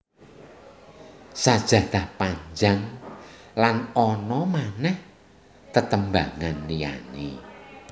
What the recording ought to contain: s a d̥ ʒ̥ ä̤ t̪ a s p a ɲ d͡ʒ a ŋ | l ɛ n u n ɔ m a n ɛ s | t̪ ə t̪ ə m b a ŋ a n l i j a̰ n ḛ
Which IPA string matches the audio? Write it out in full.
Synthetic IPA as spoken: s a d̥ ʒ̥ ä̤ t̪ a h p a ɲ d͡ʒ a ŋ | l a n ɔ n ɔ m a n ɛ h | t̪ ə t̪ ə m b a ŋ a n l i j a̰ n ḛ